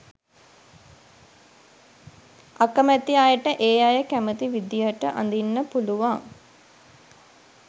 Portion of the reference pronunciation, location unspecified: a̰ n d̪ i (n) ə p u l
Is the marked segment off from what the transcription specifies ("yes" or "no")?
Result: yes